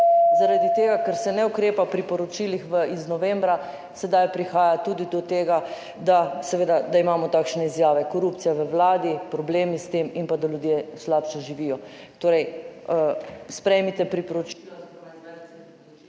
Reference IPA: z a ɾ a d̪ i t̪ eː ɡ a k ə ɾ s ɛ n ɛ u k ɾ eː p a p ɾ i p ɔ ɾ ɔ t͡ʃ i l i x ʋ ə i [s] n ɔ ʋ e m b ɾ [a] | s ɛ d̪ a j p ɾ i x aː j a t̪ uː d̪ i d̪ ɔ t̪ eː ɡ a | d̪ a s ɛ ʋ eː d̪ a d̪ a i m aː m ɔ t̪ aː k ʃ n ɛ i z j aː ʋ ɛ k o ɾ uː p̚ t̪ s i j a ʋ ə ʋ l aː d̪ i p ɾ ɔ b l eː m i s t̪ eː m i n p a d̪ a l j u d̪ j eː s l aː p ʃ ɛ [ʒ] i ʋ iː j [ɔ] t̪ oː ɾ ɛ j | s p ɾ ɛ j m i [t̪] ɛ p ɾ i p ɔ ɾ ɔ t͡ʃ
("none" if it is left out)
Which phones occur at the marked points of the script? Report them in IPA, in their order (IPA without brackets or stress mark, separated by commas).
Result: z, a, ʒ, ɔ, t̪